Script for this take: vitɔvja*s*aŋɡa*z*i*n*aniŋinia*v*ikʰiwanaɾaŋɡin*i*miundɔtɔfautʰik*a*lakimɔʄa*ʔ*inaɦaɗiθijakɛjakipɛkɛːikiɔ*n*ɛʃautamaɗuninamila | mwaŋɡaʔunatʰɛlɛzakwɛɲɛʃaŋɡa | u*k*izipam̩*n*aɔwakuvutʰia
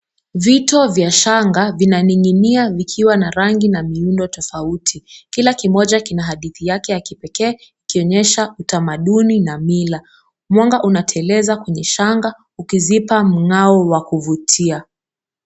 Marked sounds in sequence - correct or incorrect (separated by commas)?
incorrect, incorrect, correct, correct, incorrect, incorrect, incorrect, incorrect, correct, incorrect